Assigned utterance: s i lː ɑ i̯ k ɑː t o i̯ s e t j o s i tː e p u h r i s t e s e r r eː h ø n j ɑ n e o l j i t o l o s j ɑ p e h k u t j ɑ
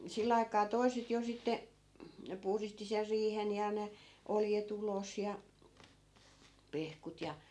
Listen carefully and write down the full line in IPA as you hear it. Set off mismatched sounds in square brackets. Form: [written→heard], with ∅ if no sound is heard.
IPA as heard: s i lː ɑ i̯ k ɑː t o i̯ s e t j o s i tː e p u h r i s t [e→i] s e r r [eː→iː] h [ø→e] n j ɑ n e o l j [i→e] t [o→u] l o s j ɑ p e h k u t j ɑ